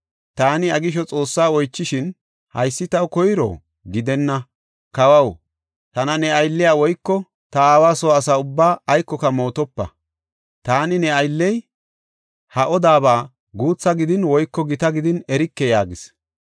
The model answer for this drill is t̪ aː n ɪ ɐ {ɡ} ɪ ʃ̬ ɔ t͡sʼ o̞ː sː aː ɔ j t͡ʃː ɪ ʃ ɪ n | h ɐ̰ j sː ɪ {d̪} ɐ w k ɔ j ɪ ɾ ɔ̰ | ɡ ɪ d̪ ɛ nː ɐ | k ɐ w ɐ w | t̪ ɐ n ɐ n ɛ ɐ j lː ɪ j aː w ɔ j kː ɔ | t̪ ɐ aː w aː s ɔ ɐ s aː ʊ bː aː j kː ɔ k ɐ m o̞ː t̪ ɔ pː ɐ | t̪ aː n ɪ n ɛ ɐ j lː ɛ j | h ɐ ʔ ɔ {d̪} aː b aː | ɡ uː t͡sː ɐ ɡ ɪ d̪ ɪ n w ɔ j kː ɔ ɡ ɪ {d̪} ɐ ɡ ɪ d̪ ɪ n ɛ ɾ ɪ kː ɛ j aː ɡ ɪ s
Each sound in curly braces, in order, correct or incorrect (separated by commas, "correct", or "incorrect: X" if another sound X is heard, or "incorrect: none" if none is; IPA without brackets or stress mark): correct, incorrect: t̪, correct, incorrect: t̪